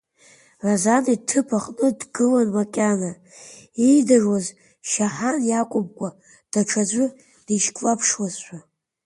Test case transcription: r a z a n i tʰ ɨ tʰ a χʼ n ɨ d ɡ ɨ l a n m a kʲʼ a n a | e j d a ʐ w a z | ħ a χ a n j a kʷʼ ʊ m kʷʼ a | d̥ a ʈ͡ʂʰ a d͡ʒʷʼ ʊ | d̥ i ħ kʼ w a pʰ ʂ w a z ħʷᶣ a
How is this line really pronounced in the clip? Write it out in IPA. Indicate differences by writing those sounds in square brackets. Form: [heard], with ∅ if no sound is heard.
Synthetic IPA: r a z a n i tʰ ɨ [pʰ] a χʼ n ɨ d ɡ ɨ l a n m a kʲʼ a n a | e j d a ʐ w a z | [ʃ] a [ħ] a n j a kʷʼ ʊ m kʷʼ a | d̥ a ʈ͡ʂʰ a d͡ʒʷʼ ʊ | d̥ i [ʃ] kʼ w a pʰ ʂ w a z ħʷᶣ a